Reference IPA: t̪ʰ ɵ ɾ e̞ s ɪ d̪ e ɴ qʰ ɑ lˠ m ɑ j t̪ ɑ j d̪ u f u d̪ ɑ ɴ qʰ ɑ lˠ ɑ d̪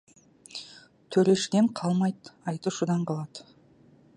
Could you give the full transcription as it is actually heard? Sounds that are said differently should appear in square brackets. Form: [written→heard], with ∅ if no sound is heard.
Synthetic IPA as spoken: t̪ʰ ɵ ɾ e̞ [s→ʃ] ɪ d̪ e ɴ qʰ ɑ lˠ m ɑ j t̪ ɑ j [d̪→t̪] u [f→ʃ] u d̪ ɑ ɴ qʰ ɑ lˠ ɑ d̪